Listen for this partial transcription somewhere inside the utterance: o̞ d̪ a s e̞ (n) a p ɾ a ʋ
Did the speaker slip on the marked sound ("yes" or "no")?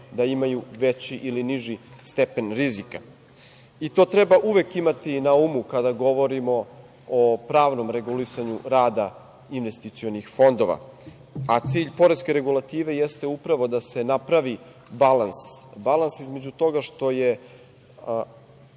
no